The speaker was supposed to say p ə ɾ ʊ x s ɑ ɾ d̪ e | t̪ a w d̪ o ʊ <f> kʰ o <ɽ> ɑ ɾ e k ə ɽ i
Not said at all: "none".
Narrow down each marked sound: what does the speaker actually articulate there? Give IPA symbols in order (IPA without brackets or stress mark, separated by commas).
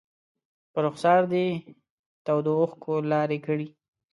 x, l